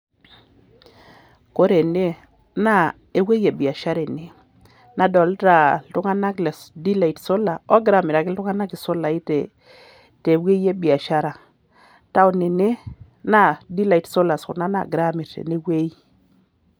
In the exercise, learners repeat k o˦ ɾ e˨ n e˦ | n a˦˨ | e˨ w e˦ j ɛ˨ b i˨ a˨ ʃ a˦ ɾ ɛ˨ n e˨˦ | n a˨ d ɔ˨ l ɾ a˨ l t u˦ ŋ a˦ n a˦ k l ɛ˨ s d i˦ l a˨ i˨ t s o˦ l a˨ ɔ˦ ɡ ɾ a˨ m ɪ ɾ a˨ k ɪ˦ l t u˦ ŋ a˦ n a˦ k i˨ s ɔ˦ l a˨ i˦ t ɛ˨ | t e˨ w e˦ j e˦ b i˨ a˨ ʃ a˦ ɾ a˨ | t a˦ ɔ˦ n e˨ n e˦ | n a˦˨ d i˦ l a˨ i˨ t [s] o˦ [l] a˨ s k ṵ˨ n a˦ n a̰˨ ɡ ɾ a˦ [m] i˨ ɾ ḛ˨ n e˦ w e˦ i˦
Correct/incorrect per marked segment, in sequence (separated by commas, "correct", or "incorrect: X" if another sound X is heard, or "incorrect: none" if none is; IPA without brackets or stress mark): correct, correct, correct